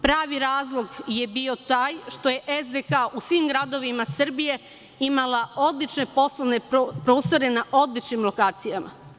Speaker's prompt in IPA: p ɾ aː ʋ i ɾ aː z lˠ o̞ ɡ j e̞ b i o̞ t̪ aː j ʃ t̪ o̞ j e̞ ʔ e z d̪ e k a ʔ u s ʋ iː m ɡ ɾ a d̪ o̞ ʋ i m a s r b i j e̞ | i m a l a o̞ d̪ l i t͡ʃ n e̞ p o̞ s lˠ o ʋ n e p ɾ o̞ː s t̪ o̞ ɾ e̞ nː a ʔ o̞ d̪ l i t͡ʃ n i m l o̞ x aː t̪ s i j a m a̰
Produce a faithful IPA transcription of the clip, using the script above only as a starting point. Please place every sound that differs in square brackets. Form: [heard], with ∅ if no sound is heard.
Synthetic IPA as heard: p ɾ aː ʋ i ɾ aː z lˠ o̞ ɡ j e̞ b i o̞ t̪ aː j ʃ t̪ o̞ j e̞ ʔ e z d̪ e k a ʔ u s ʋ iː m ɡ ɾ a d̪ o̞ ʋ i m a s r b i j e̞ | i m a l a o̞ d̪ l i t͡ʃ n e̞ p o̞ s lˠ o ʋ n e p ɾ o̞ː s t̪ o̞ ɾ e̞ [n] a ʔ o̞ d̪ l i t͡ʃ n i m l o̞ [k] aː t̪ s i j a m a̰